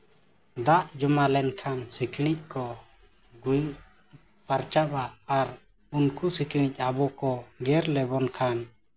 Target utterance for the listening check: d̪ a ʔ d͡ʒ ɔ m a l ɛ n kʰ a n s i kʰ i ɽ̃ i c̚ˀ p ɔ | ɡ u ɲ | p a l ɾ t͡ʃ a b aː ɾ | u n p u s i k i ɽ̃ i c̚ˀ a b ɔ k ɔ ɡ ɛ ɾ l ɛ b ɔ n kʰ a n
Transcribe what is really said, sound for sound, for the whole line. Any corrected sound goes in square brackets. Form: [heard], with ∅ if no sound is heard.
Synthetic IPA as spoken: d̪ a ʔ d͡ʒ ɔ m a l ɛ n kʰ a n s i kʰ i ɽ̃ i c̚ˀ [k] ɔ | ɡ u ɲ | p a [∅] ɾ t͡ʃ a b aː ɾ | u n [k] u s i k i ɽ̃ i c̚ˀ a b ɔ k ɔ ɡ ɛ ɾ l ɛ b ɔ n kʰ a n